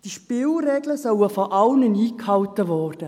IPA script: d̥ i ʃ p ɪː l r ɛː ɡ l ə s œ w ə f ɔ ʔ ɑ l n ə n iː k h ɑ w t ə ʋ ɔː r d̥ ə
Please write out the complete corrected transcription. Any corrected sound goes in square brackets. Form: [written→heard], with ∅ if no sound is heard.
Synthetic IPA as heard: d̥ i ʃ p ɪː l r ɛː ɡ l ə s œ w ə f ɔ ʔ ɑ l n ə n iː k h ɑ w t ə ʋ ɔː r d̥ ə

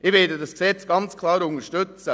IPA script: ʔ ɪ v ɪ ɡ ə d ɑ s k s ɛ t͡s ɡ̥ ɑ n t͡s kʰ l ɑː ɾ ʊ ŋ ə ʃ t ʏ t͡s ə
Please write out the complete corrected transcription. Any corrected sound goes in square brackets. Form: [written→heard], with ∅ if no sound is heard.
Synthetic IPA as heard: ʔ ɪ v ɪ [ɡ→d] ə d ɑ s k s ɛ t͡s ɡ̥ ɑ n t͡s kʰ l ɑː ɾ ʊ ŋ ə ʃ t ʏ t͡s ə

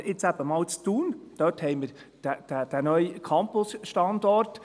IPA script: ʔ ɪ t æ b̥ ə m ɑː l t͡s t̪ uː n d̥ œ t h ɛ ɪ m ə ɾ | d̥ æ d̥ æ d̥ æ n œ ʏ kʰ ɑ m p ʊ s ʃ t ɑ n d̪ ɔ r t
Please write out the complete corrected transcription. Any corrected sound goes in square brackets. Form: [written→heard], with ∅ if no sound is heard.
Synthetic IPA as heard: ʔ ɪ [t→t͡s] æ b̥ ə m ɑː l t͡s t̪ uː n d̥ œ t h ɛ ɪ m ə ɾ | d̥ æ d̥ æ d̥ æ n œ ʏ kʰ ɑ m p ʊ s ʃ t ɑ n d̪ ɔ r t

